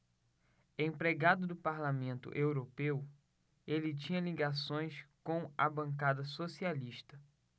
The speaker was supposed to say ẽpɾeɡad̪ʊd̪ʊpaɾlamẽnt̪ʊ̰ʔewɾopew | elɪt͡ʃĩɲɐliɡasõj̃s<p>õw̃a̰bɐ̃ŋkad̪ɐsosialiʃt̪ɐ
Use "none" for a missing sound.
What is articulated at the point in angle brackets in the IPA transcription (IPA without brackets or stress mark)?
k